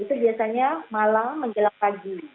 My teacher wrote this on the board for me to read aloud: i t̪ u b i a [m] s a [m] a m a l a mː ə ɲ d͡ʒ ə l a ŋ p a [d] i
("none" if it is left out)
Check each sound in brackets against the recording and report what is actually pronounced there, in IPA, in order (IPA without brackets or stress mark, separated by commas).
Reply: none, ɲ, ɡ